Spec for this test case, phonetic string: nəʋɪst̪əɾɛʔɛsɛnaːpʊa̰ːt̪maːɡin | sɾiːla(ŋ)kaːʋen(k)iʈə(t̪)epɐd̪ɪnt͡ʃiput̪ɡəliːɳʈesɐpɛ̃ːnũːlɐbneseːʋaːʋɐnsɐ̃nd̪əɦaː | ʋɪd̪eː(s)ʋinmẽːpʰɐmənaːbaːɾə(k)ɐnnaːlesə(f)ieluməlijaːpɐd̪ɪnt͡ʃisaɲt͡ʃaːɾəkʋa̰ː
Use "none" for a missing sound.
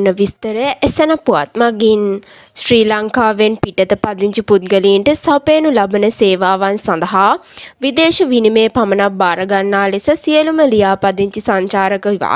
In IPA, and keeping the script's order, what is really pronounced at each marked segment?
ŋ, p, t̪, ʃ, ɡ, s

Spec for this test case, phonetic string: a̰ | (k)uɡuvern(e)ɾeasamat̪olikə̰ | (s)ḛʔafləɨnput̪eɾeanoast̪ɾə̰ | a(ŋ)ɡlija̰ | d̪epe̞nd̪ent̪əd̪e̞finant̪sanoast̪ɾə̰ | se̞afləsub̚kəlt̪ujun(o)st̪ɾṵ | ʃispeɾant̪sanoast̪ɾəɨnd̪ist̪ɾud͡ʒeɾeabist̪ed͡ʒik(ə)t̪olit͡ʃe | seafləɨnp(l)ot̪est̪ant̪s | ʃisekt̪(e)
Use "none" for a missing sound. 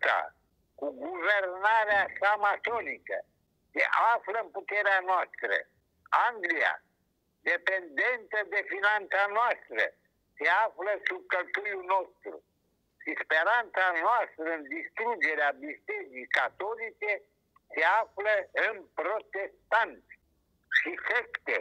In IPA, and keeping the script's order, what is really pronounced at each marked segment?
k, a, s, ŋ, o, a, ɾ, e

